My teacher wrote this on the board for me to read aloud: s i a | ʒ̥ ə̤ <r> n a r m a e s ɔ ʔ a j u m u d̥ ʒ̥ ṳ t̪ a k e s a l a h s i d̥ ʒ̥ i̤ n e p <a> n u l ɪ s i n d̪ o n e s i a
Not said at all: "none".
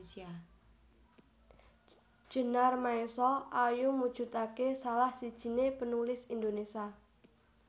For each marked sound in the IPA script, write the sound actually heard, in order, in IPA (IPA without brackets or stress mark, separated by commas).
none, ə